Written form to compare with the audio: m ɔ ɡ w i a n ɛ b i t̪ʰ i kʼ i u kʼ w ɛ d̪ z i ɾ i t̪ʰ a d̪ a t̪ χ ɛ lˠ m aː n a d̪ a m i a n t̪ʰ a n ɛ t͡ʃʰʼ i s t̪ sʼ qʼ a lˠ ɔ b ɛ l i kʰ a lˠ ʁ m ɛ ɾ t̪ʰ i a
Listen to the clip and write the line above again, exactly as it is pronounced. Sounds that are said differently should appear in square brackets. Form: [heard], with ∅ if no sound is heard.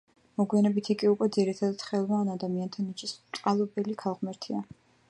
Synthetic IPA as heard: m ɔ ɡ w i a n ɛ b i t̪ʰ i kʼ i u kʼ w ɛ d̪ z i ɾ i t̪ʰ a d̪ a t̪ χ ɛ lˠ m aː n a d̪ a m i a n t̪ʰ a n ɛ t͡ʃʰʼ i s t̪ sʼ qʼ a lˠ ɔ b ɛ l i kʰ a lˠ ʁ m ɛ ɾ t̪ʰ i a